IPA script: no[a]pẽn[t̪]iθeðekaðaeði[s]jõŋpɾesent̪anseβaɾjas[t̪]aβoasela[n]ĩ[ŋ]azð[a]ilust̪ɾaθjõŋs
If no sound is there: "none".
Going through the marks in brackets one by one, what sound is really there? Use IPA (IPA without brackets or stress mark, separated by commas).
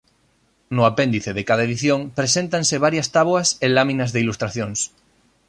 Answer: a, d̪, θ, t̪, m, n, e